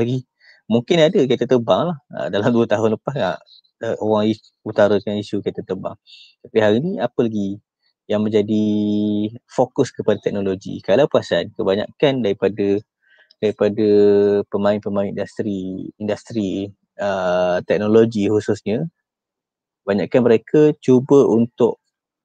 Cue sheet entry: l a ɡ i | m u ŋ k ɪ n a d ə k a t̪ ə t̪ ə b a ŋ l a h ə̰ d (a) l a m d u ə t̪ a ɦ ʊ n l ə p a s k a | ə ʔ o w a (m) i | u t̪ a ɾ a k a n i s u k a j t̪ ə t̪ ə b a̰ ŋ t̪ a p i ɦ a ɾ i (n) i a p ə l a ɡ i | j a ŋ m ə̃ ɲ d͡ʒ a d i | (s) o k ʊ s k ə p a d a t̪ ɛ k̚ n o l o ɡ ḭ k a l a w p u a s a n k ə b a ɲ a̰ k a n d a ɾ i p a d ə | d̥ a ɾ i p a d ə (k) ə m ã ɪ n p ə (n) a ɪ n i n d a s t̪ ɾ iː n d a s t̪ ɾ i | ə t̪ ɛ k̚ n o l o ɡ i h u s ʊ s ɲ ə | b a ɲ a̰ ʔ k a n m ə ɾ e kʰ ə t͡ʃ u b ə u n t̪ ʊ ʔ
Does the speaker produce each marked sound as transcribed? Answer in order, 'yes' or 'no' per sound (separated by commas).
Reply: yes, no, yes, no, no, no